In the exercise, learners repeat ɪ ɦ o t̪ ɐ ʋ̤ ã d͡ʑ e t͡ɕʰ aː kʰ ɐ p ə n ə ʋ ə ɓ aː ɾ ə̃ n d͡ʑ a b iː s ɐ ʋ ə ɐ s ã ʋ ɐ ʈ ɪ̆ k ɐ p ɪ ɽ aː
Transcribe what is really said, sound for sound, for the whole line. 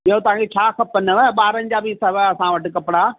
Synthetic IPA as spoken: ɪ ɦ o t̪ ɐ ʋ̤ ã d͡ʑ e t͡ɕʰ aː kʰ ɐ p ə n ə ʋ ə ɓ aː ɾ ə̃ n d͡ʑ a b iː s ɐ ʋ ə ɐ s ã ʋ ɐ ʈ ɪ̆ k ɐ p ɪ ɽ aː